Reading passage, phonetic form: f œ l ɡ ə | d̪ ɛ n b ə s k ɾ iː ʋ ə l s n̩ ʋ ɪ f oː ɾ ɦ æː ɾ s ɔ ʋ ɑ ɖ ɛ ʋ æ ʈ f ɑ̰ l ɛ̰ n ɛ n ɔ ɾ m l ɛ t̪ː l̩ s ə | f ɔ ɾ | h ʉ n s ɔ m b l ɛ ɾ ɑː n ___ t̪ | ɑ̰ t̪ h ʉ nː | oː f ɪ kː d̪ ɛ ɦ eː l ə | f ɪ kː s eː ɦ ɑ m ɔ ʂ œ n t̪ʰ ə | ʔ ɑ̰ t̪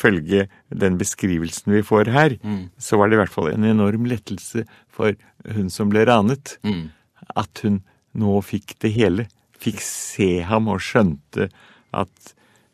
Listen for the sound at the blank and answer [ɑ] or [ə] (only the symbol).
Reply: ə